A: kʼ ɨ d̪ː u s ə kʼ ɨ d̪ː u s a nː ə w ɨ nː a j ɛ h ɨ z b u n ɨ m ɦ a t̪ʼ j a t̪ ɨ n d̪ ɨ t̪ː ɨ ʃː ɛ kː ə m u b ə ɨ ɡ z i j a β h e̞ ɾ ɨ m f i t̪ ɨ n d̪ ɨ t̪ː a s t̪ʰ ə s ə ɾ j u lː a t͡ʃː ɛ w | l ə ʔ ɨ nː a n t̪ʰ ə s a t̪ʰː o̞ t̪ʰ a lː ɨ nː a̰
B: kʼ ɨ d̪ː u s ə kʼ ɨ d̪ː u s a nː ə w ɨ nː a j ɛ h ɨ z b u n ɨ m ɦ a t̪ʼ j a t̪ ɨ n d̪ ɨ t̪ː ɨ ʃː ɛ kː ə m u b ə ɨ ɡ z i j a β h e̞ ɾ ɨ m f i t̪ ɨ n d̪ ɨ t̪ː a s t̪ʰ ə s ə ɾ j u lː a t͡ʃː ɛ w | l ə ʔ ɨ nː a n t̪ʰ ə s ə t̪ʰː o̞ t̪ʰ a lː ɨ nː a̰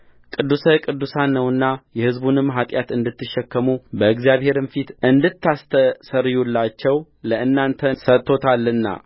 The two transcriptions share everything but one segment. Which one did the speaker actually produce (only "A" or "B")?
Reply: B